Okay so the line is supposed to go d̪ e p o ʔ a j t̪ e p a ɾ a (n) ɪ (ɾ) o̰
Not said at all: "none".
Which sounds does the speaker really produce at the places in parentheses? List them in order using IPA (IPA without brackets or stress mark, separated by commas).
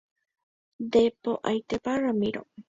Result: m, ɾ